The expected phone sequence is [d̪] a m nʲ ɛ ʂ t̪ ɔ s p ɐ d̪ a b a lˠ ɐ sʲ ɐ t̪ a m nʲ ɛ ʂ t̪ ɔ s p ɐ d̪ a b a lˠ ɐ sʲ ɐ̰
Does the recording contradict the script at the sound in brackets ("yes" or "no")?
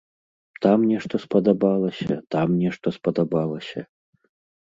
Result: yes